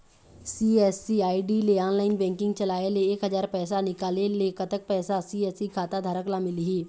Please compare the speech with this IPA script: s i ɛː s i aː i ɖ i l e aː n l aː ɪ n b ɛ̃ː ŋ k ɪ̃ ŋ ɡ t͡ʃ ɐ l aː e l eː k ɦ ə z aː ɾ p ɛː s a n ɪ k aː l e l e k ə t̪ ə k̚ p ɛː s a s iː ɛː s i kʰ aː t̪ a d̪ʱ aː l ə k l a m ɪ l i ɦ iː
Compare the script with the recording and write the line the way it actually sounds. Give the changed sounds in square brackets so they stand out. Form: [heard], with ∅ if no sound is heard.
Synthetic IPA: s i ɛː s i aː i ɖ i l e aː n l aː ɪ n b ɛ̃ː ŋ k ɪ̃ ŋ ɡ t͡ʃ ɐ l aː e l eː k ɦ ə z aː ɾ p ɛː s a n ɪ k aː l e l e k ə t̪ ə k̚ p ɛː s a s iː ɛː s i kʰ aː t̪ a d̪ʱ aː [ɾ] ə k l a m ɪ l i ɦ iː

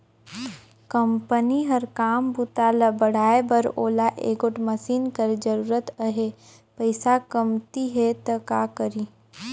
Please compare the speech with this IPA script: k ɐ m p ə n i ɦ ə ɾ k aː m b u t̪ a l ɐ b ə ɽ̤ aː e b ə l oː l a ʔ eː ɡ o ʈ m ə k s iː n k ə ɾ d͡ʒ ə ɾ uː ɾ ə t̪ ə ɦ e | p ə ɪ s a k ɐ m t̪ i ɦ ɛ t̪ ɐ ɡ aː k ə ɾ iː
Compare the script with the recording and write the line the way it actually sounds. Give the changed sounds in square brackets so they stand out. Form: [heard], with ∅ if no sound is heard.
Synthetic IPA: k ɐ m p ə n i ɦ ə ɾ k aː m b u t̪ a l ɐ b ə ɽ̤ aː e b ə [ɾ] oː l a ʔ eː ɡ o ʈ m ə [∅] s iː n k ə ɾ d͡ʒ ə ɾ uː ɾ ə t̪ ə ɦ e | p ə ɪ s a k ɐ m t̪ i ɦ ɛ t̪ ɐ [k] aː k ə ɾ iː

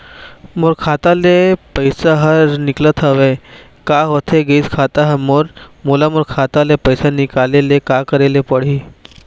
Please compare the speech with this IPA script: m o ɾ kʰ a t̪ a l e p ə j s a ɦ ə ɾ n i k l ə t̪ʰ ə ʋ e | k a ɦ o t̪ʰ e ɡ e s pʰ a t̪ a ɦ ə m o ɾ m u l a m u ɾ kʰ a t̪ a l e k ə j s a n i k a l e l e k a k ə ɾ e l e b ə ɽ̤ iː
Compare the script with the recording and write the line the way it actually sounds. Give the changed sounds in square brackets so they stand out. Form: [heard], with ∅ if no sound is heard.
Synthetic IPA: m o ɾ kʰ a t̪ a l e p ə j s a ɦ ə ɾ n i k l ə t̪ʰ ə ʋ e | k a ɦ o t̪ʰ e ɡ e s [kʰ] a t̪ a ɦ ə m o ɾ m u l a m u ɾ kʰ a t̪ a l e [p] ə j s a n i k a l e l e k a k ə ɾ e l e [p] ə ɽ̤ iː

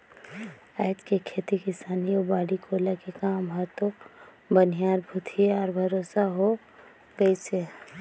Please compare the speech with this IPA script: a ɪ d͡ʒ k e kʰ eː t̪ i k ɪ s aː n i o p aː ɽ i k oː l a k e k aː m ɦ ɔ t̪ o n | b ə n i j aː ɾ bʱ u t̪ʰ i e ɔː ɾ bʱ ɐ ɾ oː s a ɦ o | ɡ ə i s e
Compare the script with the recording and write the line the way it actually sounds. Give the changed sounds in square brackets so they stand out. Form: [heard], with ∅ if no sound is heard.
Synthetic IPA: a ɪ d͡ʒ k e kʰ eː t̪ i k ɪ s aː n i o [b] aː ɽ i k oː l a k e k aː m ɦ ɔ t̪ o [∅] | b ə n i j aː ɾ bʱ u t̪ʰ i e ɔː ɾ bʱ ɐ ɾ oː s a ɦ o | ɡ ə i s e

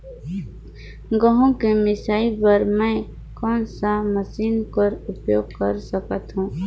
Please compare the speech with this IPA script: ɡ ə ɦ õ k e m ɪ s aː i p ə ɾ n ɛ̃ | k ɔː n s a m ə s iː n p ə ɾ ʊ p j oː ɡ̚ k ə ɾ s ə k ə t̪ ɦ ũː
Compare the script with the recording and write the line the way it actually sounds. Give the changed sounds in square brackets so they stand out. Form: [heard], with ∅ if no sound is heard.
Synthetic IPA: ɡ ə ɦ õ k e m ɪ s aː i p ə ɾ [m] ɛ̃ | k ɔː n s a m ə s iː n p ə ɾ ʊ p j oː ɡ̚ k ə ɾ s ə k ə t̪ ɦ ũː

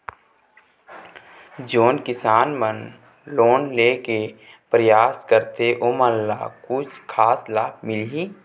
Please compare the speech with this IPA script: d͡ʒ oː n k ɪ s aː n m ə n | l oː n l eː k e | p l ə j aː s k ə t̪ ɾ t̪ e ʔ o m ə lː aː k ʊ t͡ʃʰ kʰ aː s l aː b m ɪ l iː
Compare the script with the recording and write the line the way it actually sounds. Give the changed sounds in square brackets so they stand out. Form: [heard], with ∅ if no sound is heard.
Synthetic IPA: d͡ʒ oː n k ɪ s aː n m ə n | l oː n l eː k e | p [ɾ] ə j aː s k ə [∅] ɾ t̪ e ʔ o m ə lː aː k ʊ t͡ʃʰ kʰ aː s l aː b m ɪ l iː

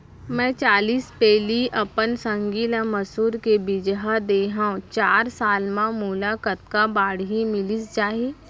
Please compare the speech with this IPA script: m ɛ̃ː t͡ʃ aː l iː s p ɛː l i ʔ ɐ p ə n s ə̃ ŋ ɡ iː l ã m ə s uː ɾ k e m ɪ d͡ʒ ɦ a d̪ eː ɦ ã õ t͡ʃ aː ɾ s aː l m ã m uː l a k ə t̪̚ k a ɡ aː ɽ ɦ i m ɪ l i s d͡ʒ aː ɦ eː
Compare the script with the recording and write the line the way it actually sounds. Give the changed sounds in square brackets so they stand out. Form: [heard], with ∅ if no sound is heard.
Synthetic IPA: m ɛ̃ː t͡ʃ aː l iː s p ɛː l i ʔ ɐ p ə n s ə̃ ŋ ɡ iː l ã m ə s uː ɾ k e [b] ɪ d͡ʒ ɦ a d̪ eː ɦ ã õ t͡ʃ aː ɾ s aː l m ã m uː l a k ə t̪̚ k a [b] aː ɽ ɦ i m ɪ l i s d͡ʒ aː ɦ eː

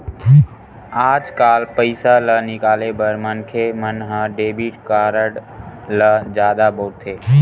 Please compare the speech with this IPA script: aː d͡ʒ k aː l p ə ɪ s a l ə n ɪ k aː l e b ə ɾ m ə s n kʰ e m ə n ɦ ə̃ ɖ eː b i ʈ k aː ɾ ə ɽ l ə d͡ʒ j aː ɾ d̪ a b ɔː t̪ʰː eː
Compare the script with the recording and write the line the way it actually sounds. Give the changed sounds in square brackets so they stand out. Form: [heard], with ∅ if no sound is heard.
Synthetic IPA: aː d͡ʒ k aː l p ə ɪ s a l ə n ɪ k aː l e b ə ɾ m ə [∅] n kʰ e m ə n ɦ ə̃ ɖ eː b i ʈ k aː ɾ ə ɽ l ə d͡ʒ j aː [∅] d̪ a b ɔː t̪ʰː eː

